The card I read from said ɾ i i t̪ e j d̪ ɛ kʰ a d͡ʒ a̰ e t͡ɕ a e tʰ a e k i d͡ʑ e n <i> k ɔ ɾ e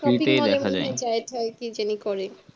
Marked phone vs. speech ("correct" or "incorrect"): correct